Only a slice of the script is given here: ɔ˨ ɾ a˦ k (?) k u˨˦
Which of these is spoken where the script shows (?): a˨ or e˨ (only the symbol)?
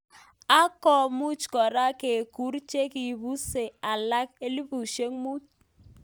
e˨